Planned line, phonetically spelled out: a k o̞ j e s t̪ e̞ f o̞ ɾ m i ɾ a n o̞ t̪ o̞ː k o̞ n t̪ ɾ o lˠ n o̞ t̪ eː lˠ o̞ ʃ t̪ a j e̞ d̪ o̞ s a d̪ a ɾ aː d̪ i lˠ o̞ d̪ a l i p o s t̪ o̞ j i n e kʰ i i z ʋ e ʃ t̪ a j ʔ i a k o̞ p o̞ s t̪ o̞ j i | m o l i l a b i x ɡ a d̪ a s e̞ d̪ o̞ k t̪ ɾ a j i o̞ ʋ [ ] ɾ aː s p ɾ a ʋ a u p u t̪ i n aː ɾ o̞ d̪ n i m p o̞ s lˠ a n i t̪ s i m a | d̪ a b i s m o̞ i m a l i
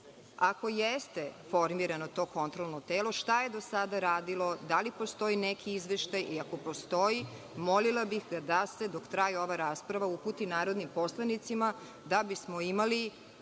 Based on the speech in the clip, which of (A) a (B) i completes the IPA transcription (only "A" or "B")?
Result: A